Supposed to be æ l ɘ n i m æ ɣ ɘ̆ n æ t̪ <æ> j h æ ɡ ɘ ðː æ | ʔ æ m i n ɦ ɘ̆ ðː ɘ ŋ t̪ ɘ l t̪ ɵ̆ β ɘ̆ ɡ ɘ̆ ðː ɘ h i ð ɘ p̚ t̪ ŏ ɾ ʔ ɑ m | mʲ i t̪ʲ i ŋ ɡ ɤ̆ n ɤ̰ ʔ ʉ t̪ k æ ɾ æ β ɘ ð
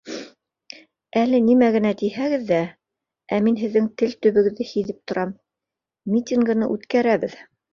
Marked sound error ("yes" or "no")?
yes